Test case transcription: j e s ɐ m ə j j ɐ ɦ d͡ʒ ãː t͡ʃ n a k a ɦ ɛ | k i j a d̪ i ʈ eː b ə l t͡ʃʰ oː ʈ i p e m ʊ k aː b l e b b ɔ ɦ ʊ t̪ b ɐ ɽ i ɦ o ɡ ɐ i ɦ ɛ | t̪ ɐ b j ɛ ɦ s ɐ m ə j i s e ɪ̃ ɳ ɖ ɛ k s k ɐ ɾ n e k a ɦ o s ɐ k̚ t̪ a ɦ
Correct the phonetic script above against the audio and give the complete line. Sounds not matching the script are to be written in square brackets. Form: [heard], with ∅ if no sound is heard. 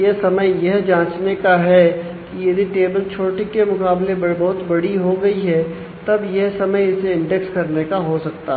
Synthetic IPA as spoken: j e s ɐ m ə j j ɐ ɦ d͡ʒ ãː t͡ʃ n [e] k a ɦ ɛ | k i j [ɐ] d̪ i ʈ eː b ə l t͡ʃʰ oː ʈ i [k] e m ʊ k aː b l e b b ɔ ɦ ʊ t̪ b ɐ ɽ i ɦ o ɡ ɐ i ɦ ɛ | t̪ ɐ b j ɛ ɦ s ɐ m ə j [ɪ] s e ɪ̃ ɳ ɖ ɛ k s k ɐ ɾ n e k a ɦ o s ɐ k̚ t̪ a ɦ